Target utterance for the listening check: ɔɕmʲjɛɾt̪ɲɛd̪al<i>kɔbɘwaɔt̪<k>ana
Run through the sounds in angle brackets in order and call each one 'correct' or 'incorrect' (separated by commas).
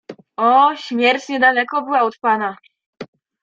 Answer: incorrect, incorrect